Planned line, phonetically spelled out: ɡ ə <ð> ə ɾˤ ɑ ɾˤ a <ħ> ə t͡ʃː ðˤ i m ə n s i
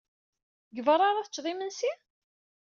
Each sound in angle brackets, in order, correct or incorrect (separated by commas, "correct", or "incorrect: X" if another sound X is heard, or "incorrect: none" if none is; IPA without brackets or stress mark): incorrect: v, incorrect: θ